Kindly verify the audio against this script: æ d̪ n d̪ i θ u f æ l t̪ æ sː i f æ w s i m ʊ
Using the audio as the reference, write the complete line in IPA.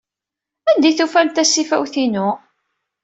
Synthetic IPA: æ n d̪ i θ u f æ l t̪ æ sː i f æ w θ i n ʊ